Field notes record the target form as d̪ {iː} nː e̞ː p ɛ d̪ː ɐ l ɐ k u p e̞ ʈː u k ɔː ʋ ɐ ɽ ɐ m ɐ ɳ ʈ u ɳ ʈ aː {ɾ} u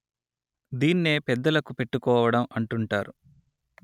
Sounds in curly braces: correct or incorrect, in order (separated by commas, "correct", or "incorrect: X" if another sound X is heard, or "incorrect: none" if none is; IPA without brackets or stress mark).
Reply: correct, correct